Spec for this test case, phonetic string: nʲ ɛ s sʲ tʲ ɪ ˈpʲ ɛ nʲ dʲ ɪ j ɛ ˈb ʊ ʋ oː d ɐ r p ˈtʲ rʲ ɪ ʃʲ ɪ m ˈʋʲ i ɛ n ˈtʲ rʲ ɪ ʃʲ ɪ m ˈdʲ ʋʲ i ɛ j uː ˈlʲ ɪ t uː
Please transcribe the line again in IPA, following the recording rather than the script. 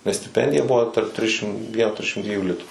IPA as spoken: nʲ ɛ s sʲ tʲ ɪ ˈpʲ ɛ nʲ dʲ ɪ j ɛ ˈb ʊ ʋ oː t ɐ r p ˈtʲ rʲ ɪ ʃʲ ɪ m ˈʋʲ i ɛ n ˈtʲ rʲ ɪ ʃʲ ɪ m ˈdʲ ʋʲ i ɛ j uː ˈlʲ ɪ t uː